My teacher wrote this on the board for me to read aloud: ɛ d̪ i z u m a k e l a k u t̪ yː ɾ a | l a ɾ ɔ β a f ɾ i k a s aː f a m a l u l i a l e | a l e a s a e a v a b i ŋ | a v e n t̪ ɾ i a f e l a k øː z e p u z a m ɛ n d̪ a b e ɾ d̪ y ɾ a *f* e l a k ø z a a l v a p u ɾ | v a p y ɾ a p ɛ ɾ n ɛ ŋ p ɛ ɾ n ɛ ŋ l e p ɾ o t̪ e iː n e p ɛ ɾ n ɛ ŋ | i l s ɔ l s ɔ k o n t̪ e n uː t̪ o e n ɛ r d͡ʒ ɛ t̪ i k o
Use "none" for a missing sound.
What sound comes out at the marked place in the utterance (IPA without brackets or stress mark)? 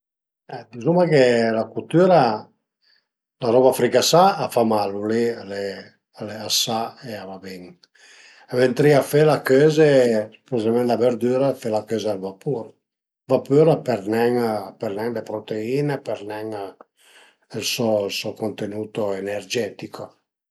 f